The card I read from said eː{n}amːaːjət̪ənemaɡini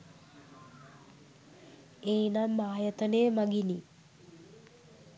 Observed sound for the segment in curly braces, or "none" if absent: n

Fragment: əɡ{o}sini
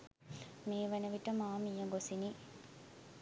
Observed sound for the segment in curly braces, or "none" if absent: o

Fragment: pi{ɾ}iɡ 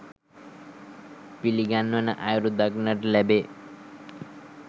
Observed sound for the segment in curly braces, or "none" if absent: l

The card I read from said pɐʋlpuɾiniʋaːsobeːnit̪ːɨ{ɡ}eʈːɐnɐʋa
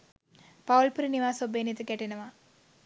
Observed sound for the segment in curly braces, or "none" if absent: k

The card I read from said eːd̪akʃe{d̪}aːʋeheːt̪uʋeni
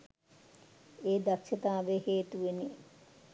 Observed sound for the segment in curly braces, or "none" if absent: t̪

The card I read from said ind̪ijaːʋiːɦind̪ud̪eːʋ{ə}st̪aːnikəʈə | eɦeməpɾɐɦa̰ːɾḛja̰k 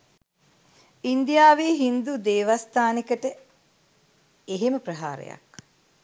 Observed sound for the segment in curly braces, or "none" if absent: a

